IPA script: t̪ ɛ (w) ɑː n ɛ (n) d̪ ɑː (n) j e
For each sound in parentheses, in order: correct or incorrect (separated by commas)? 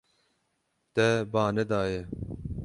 incorrect, incorrect, incorrect